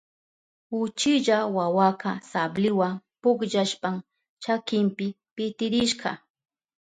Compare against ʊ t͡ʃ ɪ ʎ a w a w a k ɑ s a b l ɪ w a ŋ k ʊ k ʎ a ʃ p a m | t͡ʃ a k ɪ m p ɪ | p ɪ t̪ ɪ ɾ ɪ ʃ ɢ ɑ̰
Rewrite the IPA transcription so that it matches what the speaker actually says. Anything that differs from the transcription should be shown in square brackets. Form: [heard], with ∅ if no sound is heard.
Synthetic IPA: ʊ t͡ʃ ɪ ʎ a w a w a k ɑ s a b l ɪ w a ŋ [p] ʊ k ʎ a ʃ p a m | t͡ʃ a k ɪ m p ɪ | p ɪ t̪ ɪ ɾ ɪ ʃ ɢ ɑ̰